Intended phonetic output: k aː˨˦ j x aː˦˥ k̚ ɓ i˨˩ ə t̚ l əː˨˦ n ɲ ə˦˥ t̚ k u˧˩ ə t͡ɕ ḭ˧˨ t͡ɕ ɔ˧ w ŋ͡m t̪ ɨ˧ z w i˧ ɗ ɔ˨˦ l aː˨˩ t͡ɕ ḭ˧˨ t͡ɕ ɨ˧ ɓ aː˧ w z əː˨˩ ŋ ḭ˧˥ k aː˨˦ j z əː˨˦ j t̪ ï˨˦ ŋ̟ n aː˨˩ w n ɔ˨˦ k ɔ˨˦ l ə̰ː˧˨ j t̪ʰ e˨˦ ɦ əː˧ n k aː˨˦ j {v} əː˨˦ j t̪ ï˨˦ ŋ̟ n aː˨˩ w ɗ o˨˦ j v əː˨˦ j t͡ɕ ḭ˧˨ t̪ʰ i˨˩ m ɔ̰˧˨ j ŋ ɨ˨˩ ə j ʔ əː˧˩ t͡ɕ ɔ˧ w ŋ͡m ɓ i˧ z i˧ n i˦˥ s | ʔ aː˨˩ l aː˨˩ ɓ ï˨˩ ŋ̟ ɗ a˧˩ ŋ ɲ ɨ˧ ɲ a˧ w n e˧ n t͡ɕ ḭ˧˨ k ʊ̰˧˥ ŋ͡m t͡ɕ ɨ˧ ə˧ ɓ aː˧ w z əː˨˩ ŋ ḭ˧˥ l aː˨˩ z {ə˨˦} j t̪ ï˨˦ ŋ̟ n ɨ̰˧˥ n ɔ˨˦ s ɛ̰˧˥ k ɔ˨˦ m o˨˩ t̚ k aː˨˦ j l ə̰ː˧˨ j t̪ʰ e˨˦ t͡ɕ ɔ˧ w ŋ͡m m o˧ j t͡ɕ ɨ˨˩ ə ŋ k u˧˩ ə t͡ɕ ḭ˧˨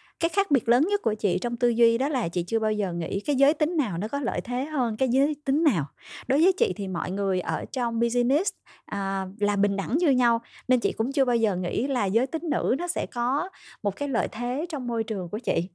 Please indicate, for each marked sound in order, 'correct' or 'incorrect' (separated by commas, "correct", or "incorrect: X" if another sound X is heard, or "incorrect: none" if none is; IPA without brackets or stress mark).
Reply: incorrect: z, incorrect: əː˨˦